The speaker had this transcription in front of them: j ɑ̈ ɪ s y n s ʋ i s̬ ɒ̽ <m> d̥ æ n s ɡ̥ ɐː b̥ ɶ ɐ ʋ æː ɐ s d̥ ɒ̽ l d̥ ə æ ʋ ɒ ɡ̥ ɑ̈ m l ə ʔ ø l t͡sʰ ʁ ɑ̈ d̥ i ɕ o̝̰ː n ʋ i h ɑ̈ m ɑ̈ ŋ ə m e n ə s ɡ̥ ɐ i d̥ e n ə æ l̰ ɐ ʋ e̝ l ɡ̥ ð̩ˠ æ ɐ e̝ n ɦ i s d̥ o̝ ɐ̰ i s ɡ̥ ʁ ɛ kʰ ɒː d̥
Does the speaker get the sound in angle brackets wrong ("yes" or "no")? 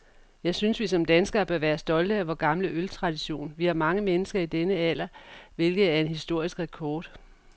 no